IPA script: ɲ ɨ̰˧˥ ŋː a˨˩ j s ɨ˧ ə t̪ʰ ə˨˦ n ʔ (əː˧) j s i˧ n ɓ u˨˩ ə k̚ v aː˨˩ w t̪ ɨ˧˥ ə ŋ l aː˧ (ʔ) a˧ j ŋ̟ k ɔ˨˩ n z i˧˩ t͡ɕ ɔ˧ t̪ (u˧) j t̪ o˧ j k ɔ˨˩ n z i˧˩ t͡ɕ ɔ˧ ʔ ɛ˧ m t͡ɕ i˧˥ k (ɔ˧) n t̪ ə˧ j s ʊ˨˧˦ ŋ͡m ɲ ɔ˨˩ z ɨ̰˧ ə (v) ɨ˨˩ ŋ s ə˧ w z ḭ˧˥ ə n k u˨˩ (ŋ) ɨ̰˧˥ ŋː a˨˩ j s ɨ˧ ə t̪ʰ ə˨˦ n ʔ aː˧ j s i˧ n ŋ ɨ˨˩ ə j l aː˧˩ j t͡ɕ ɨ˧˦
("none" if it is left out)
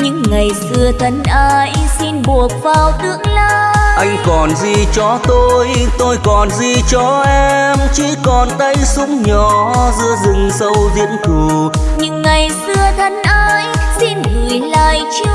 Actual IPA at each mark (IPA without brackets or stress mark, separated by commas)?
aː˧, ʔ, o˧, ɔ˨˩, z, ɲ